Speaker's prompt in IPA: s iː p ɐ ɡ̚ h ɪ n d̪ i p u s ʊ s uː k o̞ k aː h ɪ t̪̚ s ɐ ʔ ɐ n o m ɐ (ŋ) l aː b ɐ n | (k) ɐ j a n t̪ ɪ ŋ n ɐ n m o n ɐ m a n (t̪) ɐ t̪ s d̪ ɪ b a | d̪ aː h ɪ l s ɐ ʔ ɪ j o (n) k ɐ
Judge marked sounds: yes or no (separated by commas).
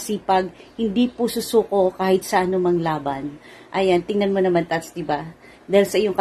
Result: yes, no, yes, no